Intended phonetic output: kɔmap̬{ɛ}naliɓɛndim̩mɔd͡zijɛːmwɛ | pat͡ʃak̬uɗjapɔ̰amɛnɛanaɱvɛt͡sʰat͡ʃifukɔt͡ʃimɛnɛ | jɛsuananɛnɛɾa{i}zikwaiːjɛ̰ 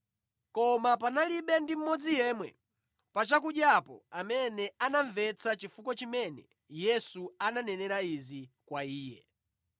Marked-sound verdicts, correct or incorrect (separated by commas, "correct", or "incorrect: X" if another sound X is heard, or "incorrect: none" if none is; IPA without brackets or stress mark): incorrect: a, correct